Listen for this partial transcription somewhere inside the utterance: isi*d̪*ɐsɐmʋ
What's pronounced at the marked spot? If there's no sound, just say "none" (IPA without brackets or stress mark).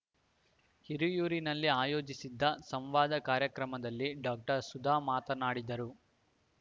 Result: d̪ː